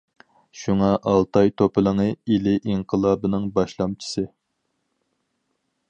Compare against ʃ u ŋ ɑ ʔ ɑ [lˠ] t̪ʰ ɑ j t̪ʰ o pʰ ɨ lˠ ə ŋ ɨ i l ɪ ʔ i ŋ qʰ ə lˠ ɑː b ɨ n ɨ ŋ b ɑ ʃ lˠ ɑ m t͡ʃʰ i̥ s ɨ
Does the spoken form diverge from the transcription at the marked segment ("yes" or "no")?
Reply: no